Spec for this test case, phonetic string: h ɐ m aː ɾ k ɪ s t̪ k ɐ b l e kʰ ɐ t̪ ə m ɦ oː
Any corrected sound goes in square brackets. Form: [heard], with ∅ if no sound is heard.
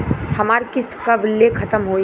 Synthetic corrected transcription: h ɐ m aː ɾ k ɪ s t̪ k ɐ b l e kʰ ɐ t̪ ə m ɦ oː